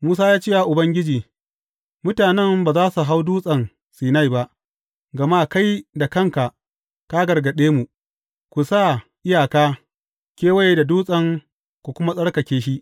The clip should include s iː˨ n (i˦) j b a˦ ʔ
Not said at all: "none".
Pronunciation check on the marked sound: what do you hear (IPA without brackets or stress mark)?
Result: a˦